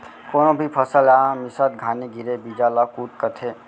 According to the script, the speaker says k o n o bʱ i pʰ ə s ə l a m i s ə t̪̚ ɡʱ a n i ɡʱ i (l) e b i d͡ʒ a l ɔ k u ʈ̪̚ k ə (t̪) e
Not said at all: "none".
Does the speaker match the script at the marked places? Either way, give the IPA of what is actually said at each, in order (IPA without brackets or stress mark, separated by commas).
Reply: ɾ, t̪ʰ